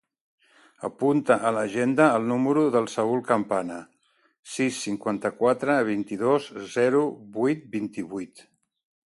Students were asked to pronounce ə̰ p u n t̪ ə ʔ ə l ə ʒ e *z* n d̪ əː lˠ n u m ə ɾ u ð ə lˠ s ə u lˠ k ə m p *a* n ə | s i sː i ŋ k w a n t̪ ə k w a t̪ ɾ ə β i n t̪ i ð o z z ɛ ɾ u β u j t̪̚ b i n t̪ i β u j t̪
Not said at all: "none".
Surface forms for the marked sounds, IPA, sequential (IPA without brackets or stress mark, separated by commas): none, a